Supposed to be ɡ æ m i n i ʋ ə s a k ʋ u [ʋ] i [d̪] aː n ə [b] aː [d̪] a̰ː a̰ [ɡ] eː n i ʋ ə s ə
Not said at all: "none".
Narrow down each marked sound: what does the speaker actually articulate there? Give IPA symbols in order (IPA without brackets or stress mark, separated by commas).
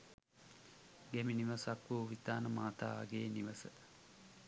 ʋ, t̪, m, t̪, ɡ